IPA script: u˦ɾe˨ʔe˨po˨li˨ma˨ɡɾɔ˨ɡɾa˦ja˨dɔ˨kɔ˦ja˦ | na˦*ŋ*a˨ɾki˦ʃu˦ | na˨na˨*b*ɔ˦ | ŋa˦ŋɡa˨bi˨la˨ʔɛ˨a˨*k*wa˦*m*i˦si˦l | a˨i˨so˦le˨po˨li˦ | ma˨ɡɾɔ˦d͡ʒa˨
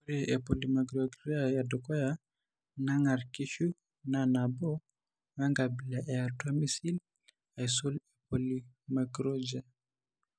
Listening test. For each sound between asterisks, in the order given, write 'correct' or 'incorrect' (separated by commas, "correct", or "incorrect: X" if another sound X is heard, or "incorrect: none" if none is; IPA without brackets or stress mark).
correct, correct, incorrect: t, correct